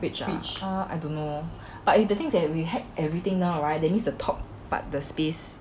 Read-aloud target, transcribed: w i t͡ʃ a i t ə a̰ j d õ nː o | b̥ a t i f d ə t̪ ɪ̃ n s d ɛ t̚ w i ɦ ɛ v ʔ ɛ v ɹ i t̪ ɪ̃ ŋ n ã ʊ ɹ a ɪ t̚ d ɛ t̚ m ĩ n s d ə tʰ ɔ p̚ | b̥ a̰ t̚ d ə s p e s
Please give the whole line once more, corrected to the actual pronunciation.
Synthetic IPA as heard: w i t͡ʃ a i t͡ʃ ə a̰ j d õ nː o | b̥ a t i f d ə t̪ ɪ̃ ŋ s d ɛ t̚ w i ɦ ɛ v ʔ ɛ v ɹ i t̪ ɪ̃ ŋ n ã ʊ ɹ a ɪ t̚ d ɛ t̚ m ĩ n s d ə tʰ ɔ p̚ | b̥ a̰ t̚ d ə s p e s